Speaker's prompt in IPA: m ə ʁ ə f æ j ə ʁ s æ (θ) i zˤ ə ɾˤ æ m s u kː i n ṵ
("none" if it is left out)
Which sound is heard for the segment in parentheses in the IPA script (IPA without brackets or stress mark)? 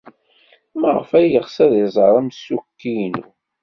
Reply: ð